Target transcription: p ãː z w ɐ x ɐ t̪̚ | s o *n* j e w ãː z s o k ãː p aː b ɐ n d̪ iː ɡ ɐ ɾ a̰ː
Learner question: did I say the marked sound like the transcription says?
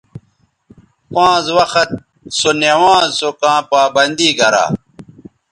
yes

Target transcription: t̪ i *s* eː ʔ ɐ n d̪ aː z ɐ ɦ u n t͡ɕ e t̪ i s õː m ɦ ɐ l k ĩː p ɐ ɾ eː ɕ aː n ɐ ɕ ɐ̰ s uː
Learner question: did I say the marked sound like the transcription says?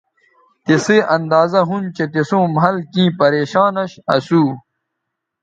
yes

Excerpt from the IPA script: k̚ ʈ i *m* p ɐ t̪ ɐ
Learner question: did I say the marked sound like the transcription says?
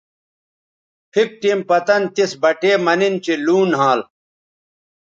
yes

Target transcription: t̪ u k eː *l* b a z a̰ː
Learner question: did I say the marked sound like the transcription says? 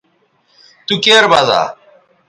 no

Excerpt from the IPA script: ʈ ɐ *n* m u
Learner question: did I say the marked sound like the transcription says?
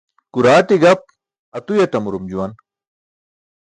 no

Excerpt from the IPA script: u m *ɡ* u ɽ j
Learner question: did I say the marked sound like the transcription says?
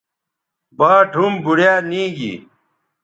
no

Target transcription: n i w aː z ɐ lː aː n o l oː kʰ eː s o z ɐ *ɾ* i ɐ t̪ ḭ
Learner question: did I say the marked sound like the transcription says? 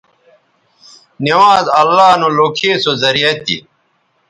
yes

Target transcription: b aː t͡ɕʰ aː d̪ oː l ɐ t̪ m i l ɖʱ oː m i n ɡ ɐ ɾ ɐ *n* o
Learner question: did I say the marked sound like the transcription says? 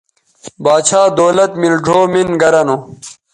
yes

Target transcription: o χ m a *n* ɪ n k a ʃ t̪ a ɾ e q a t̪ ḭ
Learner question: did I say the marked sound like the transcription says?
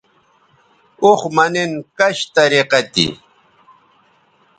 yes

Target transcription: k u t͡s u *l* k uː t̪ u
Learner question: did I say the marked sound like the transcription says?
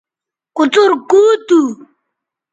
no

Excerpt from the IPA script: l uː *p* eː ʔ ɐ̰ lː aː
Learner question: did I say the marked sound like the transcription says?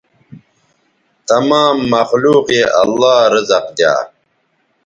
no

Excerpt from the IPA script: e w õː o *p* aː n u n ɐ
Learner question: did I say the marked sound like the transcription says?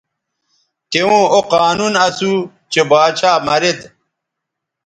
no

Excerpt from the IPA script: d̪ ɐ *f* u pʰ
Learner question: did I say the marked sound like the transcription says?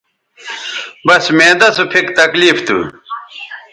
no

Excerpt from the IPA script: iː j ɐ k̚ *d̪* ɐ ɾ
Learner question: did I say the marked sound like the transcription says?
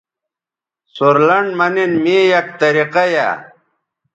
no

